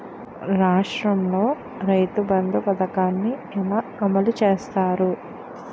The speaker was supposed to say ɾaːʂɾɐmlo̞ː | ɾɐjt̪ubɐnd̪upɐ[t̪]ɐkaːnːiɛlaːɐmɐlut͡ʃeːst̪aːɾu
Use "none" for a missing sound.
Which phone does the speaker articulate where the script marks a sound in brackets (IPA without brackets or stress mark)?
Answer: d̪